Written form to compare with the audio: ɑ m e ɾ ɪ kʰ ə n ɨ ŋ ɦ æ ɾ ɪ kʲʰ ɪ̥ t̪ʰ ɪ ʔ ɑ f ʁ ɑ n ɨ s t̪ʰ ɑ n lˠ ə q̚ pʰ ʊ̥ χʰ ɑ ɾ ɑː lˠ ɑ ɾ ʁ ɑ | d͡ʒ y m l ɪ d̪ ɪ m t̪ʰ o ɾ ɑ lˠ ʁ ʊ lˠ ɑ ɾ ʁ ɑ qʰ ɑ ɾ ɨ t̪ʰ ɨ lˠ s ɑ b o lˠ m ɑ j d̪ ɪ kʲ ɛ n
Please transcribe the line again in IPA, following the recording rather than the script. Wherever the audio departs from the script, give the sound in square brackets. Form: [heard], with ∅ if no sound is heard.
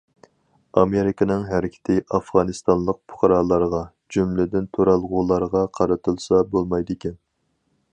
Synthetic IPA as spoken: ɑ m e ɾ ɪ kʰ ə n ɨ ŋ ɦ æ ɾ ɪ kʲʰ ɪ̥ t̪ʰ ɪ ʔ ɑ f ʁ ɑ n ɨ s [t̪] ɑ n lˠ ə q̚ pʰ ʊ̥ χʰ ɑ ɾ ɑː lˠ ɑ ɾ ʁ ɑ | d͡ʒ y m l ɪ d̪ ɪ [n] t̪ʰ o ɾ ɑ lˠ ʁ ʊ lˠ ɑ ɾ ʁ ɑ qʰ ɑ ɾ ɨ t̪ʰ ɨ lˠ s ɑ b o lˠ m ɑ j d̪ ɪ kʲ ɛ n

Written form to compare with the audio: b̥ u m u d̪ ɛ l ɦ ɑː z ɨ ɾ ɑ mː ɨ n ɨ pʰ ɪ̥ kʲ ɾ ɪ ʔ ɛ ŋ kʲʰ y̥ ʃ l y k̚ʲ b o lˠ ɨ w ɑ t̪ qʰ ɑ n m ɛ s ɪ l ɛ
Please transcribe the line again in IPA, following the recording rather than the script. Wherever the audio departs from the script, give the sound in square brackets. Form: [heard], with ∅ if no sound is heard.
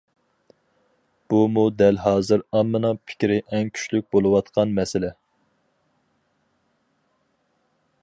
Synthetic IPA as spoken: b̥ u m u d̪ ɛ l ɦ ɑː z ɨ ɾ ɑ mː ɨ n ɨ pʰ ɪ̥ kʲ ɾ ɪ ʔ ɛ ŋ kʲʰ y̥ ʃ l y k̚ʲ b o lˠ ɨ w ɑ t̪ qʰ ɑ n m ɛ s ɪ l ɛ

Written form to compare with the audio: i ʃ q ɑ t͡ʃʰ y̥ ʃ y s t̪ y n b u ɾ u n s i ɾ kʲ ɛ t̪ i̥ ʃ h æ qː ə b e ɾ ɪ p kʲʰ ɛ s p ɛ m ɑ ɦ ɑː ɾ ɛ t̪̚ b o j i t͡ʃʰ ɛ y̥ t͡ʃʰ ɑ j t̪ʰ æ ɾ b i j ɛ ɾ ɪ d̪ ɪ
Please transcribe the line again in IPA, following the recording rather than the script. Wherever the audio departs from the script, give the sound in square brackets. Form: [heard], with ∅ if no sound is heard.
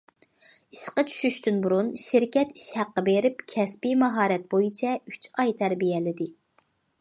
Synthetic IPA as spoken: i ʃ q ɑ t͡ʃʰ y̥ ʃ y [ʃ] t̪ y n b u ɾ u n [ʃ] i ɾ kʲ ɛ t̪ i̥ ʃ h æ qː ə b e ɾ ɪ p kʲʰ ɛ s p [i] m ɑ ɦ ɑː ɾ ɛ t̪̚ b o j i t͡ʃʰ ɛ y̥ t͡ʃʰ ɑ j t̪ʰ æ ɾ b i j ɛ [l] ɪ d̪ ɪ

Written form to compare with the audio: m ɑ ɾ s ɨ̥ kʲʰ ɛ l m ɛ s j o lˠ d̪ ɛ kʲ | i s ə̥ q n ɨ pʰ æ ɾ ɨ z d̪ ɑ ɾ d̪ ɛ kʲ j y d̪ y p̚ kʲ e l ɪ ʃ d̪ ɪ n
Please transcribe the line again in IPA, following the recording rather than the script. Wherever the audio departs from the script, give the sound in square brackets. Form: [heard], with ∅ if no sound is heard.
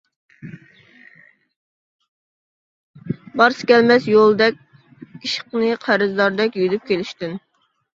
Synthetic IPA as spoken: [b] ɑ ɾ s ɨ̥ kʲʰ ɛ l m ɛ s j o lˠ d̪ ɛ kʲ | i [ʃ] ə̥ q n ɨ [qʰ] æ ɾ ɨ z d̪ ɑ ɾ d̪ ɛ kʲ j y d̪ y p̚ kʲ e l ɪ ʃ [t̪] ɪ n

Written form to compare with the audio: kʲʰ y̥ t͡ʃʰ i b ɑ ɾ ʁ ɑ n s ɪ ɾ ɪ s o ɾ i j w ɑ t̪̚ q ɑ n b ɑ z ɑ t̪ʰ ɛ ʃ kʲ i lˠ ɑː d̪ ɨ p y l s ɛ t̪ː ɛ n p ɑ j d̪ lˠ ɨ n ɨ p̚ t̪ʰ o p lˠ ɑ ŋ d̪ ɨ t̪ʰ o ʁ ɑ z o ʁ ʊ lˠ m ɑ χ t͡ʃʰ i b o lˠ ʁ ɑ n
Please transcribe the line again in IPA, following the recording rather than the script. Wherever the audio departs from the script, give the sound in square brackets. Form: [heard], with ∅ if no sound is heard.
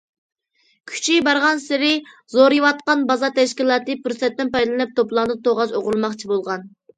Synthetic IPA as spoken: kʲʰ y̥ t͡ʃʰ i b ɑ ɾ ʁ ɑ n s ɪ ɾ ɪ [z] o ɾ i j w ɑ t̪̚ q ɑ n b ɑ z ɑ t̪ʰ ɛ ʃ kʲ i lˠ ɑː [t̪] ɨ p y [ɾ] s ɛ t̪ː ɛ n p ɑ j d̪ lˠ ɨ n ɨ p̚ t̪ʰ o p lˠ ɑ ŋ d̪ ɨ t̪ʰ o ʁ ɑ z o ʁ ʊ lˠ m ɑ χ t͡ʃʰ i b o lˠ ʁ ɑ n

